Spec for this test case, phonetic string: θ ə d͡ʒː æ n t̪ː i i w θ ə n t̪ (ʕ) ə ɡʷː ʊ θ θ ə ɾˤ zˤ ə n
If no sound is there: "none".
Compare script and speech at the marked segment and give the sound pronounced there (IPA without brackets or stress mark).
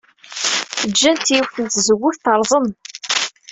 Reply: z